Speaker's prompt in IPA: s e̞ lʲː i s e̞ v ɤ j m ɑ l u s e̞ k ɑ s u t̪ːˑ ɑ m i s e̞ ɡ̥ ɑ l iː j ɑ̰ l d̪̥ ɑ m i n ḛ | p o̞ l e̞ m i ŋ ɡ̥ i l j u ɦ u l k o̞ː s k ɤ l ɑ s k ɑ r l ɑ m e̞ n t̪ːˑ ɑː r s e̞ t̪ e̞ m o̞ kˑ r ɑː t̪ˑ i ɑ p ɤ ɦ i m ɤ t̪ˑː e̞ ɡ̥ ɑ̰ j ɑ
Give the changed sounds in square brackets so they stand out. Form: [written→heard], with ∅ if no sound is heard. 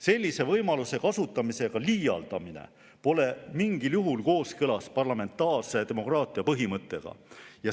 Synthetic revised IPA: s e̞ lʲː i s e̞ v ɤ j m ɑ l u s e̞ k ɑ s u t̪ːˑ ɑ m i s e̞ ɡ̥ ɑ l iː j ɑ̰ l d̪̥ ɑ m i n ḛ | p o̞ l e̞ m i ŋ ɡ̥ i l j u ɦ u l k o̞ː s k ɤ l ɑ s [k→p] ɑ r l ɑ m e̞ n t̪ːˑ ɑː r s e̞ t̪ e̞ m o̞ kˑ r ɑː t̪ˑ i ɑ p ɤ ɦ i m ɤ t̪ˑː e̞ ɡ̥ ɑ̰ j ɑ